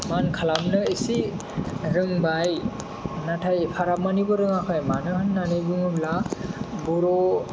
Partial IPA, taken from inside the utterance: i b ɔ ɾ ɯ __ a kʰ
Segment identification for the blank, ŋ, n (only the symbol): ŋ